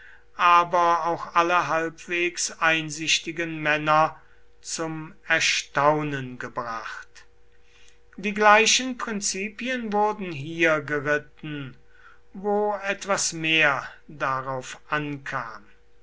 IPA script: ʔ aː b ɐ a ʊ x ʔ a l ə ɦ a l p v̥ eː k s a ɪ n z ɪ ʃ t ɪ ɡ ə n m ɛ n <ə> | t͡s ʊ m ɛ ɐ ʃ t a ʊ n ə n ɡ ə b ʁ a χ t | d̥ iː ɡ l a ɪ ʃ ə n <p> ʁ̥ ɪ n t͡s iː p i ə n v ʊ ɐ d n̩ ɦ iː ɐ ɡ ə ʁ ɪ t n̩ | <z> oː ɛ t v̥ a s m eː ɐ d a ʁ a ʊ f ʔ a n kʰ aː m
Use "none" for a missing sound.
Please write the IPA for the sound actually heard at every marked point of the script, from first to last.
ɐ, p, v

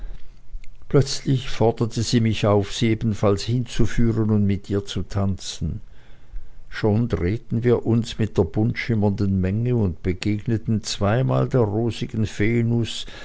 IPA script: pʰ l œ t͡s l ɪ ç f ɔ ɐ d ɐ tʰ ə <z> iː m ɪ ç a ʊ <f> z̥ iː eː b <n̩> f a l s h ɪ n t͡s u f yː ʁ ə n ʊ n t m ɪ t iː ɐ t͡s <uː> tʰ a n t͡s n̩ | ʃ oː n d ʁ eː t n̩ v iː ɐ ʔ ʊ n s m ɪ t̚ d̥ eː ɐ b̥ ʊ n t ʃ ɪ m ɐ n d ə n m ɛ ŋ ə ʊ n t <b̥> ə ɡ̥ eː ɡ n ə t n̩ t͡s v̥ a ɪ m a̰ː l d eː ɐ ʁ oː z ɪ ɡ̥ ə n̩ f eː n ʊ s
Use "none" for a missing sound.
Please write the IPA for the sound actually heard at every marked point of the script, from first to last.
z, f, n̩, u, b̥

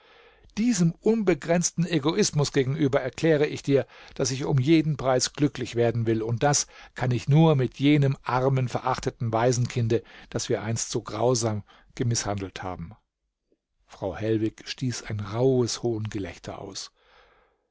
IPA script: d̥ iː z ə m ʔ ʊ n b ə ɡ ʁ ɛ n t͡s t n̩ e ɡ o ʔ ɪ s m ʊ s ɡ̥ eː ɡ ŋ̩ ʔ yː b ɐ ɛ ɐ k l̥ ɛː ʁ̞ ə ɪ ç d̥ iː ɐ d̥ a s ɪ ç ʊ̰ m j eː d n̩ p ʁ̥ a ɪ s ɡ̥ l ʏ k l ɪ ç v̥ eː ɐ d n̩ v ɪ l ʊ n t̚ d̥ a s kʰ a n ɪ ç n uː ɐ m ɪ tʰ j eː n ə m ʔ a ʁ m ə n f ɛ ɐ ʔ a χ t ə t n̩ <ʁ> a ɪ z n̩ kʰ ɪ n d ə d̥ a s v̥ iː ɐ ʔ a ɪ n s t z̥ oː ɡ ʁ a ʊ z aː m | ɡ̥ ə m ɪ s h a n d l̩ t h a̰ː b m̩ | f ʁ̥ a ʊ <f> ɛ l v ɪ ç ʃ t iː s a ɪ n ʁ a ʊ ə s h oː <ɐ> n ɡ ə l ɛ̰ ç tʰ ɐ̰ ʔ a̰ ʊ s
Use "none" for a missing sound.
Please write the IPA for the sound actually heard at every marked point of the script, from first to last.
v, h, ə

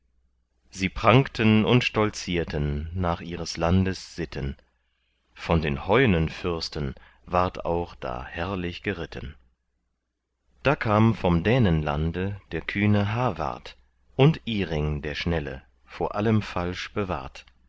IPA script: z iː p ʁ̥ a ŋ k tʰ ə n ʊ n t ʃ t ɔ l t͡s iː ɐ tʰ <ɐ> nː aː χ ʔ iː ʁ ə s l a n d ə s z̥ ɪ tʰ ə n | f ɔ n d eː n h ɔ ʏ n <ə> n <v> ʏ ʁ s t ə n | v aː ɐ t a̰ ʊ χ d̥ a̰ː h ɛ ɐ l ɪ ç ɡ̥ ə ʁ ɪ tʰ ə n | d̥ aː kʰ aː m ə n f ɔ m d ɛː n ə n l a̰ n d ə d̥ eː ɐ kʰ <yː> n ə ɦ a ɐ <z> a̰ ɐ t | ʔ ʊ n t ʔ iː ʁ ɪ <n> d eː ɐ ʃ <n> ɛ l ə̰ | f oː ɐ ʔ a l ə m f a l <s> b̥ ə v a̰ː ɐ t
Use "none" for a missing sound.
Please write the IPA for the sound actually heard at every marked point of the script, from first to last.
ə, ə, f, yː, v, ŋ, n, ʃ

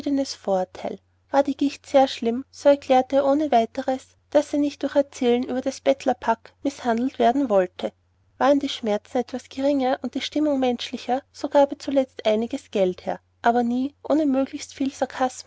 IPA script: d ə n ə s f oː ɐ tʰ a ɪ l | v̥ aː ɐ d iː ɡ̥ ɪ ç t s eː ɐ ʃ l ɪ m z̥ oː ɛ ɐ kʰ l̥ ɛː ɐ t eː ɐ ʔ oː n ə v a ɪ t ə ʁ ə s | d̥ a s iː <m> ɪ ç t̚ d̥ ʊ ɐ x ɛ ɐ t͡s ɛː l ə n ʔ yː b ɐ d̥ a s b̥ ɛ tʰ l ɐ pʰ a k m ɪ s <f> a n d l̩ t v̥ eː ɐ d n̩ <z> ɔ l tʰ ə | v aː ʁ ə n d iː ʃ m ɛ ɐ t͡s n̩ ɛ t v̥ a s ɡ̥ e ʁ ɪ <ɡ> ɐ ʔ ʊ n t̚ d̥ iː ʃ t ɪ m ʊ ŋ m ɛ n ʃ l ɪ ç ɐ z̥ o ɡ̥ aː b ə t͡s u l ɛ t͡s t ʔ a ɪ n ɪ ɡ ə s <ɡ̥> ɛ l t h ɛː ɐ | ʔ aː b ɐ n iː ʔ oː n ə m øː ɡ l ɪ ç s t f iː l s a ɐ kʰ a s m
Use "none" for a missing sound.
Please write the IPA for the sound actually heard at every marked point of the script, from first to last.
n, h, v, ŋ, ɡ̥

